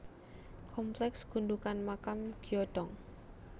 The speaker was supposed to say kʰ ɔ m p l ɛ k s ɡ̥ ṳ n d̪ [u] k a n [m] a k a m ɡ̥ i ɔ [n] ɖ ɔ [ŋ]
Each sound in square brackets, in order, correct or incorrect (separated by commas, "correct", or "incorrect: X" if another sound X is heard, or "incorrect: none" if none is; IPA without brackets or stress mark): correct, correct, incorrect: none, correct